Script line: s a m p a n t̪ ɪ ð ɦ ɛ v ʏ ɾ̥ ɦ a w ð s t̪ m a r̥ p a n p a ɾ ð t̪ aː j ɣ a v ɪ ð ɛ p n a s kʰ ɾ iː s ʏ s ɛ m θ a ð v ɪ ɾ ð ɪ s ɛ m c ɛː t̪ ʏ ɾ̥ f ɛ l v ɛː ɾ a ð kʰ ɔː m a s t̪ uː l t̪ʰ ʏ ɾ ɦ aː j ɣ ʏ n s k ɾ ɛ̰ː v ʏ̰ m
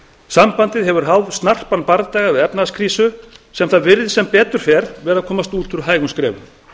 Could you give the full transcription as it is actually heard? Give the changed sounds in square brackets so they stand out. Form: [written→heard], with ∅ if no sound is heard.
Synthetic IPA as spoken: s a m p a n t̪ ɪ ð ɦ ɛ v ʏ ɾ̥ ɦ a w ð s t̪ [m→n] a r̥ p a n p a ɾ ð t̪ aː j ɣ a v ɪ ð ɛ p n a s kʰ ɾ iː s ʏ s ɛ m θ a ð v ɪ ɾ ð ɪ s ɛ m [c→p] ɛː t̪ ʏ ɾ̥ f ɛ [l→ɾ] v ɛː ɾ a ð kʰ ɔː m a s t̪ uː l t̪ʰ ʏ ɾ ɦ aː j ɣ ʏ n s k ɾ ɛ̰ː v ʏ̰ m